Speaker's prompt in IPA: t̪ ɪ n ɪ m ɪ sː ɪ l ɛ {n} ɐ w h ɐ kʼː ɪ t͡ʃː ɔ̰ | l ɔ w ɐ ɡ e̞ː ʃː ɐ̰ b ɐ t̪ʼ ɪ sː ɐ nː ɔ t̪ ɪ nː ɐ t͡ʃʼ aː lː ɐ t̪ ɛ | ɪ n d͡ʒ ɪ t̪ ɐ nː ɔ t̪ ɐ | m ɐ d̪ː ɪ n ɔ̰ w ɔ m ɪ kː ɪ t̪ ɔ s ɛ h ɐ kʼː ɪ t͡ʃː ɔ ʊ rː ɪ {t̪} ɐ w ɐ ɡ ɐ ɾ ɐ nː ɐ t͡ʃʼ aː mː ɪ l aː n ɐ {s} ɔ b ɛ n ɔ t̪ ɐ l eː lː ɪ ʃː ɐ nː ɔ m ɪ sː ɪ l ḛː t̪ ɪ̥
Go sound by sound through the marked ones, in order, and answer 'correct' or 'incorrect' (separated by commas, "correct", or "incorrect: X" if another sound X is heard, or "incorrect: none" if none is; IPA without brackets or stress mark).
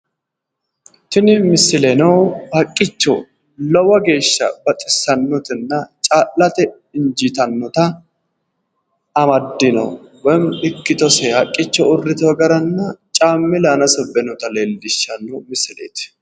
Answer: correct, correct, correct